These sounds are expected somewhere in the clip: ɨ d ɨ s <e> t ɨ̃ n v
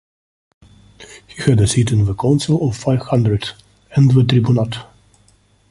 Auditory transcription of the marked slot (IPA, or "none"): i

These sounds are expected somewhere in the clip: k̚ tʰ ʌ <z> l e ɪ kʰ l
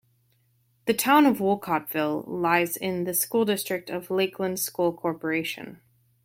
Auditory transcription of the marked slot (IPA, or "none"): v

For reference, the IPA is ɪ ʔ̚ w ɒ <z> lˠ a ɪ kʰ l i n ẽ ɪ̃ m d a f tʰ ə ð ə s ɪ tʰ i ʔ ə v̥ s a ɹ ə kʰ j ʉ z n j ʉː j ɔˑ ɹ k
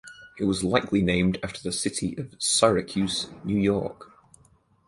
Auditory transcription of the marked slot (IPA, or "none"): z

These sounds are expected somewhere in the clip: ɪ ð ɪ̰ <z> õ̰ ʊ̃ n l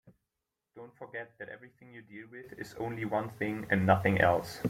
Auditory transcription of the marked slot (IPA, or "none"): z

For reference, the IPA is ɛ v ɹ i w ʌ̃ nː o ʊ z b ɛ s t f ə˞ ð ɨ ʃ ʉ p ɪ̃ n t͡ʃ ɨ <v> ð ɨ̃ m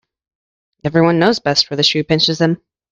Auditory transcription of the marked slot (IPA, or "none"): z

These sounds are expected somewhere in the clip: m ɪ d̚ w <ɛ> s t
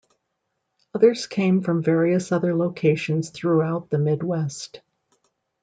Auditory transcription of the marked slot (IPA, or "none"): ɛ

